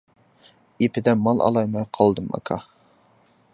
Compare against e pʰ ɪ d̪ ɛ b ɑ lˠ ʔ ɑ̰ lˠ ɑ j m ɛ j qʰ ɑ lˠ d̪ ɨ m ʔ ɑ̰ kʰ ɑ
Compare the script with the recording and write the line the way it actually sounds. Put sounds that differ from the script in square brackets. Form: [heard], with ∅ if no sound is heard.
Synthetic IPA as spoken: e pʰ ɪ d̪ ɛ [m] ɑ lˠ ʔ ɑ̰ lˠ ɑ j m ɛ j qʰ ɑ lˠ d̪ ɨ m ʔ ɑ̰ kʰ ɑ